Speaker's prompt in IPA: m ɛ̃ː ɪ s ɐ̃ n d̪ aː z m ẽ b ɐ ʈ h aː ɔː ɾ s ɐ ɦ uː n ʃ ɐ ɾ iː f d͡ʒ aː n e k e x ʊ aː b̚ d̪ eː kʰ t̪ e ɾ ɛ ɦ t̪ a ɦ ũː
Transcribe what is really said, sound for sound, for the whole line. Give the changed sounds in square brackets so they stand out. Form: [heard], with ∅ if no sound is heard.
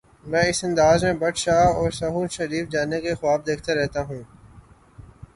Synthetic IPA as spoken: m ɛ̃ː ɪ s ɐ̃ n d̪ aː z m ẽ b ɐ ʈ [ʃ] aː ɔː ɾ s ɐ ɦ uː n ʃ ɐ ɾ iː f d͡ʒ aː n e k e x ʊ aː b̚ d̪ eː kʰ t̪ e ɾ ɛ ɦ t̪ a ɦ ũː